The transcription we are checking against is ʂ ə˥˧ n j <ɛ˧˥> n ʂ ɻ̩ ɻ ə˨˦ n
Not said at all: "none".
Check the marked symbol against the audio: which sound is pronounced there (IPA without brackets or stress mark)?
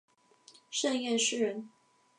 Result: ɛ˥˨